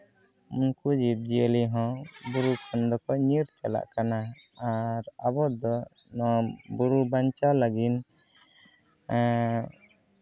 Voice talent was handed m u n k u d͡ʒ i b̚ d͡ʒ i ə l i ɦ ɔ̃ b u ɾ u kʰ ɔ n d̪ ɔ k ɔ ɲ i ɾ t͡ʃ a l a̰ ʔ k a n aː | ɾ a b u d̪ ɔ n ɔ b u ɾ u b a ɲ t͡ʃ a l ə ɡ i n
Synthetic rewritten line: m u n k u d͡ʒ i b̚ d͡ʒ i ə l i ɦ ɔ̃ b u ɾ u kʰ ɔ n d̪ ɔ k ɔ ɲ i ɾ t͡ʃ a l a̰ ʔ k a n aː | ɾ a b ɔ d̪ ɔ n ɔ b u ɾ u b a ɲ t͡ʃ a l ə ɡ i n